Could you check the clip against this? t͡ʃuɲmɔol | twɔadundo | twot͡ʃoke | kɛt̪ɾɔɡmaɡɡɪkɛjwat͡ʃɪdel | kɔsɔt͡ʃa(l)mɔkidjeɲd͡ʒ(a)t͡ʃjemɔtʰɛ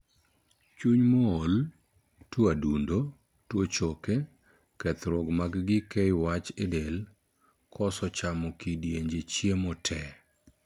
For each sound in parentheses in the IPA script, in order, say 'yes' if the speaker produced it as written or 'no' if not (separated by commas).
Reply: no, no